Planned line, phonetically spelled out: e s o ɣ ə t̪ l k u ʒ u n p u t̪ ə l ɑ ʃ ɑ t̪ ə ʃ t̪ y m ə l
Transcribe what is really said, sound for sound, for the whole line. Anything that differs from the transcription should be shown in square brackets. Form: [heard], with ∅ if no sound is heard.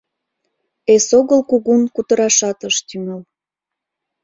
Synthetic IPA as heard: e s o ɣ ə [∅] l k u [ɣ] u n [k] u t̪ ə [ɾ] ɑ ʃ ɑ t̪ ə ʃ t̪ y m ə l

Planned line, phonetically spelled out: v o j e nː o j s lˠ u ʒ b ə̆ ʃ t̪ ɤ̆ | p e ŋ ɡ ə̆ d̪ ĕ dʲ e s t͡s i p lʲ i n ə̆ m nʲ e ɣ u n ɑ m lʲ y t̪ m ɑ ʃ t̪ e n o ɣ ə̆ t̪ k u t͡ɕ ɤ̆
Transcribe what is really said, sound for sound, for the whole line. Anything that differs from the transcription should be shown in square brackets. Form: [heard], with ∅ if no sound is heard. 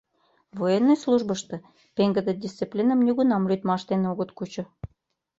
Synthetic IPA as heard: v o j e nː o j s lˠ u ʒ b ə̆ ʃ t̪ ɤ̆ | p e ŋ ɡ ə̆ d̪ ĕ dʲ [i] s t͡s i p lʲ i n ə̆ m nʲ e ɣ u n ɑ m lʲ y t̪ m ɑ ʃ t̪ e n o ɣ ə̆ t̪ k u t͡ɕ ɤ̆

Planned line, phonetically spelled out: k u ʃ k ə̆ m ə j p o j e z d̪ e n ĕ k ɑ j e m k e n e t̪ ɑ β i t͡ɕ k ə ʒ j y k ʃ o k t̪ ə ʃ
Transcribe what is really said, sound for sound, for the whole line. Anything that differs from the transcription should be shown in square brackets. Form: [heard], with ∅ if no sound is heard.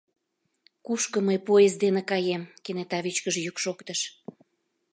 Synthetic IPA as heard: k u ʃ k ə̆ m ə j p o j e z d̪ e n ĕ k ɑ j e m k e n e t̪ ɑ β i t͡ɕ k ə ʒ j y k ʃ o k t̪ ə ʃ

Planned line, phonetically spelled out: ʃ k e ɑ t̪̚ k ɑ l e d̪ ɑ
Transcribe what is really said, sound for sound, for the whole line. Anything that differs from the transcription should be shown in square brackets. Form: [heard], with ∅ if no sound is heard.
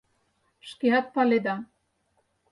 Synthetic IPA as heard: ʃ k e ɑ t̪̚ [p] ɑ l e d̪ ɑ

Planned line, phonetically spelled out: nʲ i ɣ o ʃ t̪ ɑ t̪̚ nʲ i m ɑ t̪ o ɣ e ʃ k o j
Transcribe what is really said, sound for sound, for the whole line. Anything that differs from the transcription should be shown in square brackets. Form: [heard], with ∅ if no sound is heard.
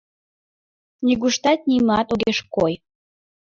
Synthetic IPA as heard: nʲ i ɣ [u] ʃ t̪ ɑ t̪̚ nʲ i m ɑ t̪ o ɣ e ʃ k o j

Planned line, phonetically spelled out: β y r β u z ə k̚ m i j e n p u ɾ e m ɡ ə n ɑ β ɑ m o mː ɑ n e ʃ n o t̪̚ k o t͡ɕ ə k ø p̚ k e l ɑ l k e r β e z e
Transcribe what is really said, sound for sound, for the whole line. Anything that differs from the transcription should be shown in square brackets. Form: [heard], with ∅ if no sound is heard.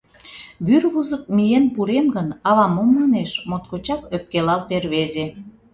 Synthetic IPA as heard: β y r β u z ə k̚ m i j e n p u ɾ e m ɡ ə n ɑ β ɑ m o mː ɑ n e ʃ [m] o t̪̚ k o t͡ɕ [ɑ] k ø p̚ k e l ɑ l [p] e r β e z e

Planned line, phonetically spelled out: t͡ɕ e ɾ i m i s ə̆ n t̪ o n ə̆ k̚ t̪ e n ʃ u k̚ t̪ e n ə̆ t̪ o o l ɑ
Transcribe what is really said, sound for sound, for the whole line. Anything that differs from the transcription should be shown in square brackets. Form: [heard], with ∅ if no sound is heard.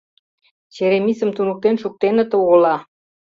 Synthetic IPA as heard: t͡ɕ e ɾ [e] m i s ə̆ [m] t̪ [u] n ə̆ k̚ t̪ e n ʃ u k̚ t̪ e n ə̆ t̪ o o l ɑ

